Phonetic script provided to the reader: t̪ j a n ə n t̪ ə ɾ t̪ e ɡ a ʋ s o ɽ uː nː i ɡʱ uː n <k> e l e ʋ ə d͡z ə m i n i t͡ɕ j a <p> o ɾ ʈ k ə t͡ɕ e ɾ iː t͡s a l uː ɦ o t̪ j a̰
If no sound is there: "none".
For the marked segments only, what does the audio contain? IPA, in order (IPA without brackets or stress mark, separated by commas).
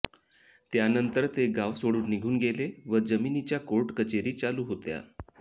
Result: ɡ, k